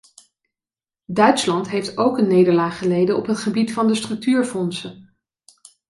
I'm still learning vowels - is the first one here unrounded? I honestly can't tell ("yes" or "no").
no